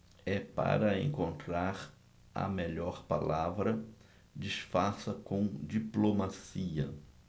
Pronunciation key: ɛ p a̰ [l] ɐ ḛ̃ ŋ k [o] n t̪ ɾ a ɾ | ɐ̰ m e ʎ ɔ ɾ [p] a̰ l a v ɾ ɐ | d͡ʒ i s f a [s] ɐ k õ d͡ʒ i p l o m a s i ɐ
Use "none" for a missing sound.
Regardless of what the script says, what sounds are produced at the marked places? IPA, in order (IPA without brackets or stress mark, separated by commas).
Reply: ɾ, õ, p, s